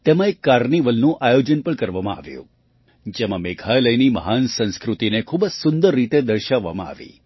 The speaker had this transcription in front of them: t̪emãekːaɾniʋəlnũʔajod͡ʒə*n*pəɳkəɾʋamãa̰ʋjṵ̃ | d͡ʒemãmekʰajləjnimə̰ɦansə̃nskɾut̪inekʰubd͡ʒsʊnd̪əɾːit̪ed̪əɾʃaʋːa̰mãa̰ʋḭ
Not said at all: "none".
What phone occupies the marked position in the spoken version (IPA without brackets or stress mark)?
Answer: n